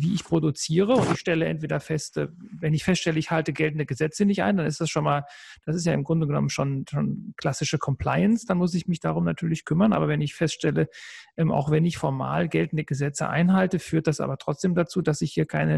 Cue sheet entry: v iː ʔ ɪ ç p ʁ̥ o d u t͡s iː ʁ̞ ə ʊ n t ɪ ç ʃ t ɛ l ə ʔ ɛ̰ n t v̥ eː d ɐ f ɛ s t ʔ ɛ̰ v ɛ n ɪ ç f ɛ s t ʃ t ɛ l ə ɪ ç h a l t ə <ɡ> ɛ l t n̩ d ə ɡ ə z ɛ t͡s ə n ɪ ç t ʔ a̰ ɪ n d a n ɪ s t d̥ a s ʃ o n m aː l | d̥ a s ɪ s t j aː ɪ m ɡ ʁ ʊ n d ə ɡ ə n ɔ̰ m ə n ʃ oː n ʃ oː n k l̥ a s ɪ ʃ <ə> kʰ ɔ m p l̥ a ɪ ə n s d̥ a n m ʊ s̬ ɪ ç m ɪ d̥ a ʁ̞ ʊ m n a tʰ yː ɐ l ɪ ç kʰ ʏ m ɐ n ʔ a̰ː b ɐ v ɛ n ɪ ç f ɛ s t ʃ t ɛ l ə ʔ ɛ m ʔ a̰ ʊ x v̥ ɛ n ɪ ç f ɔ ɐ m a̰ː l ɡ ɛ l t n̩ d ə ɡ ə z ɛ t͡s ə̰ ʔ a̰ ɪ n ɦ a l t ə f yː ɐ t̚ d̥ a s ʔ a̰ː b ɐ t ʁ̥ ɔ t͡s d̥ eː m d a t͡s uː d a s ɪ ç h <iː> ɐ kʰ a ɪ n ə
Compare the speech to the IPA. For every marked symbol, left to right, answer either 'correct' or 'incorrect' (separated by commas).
correct, correct, correct